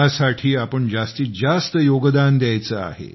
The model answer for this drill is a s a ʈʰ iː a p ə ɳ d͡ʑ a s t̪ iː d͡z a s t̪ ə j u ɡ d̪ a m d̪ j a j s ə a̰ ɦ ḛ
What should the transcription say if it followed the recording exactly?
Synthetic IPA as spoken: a s a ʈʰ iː a p ə ɳ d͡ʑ a s t̪ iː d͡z a s t̪ ə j o ɡ d̪ a n d̪ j a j t͡s ə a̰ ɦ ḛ